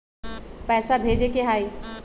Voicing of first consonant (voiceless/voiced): voiceless